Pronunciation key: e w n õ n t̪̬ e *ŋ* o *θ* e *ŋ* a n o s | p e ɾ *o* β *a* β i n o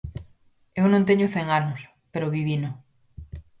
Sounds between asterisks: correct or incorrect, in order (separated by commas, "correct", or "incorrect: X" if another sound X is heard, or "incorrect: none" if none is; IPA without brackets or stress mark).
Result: incorrect: ɲ, correct, correct, correct, incorrect: i